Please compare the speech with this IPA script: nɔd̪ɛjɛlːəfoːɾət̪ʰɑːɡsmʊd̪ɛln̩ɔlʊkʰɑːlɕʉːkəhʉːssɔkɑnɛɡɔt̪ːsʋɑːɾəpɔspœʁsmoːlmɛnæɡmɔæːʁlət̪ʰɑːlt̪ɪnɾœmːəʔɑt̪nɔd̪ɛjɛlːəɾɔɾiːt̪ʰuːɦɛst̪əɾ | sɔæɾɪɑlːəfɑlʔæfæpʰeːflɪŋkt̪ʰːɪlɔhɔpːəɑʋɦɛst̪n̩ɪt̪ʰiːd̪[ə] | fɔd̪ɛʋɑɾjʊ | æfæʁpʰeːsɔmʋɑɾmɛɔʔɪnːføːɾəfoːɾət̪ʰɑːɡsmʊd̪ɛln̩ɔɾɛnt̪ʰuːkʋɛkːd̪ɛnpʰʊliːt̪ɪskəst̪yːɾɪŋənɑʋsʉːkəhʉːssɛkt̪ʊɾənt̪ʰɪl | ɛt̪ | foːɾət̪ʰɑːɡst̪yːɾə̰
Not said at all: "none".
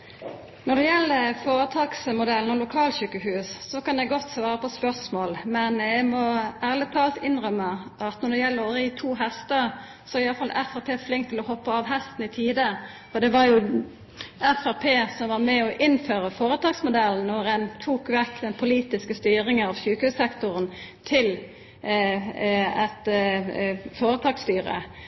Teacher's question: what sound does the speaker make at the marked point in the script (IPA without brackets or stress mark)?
ə